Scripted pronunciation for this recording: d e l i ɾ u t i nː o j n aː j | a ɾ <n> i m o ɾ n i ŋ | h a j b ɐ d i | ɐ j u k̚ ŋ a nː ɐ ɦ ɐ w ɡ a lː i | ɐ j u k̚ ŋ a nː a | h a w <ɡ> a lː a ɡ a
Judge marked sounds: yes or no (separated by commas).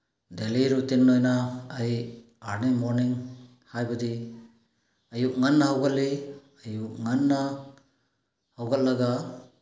yes, yes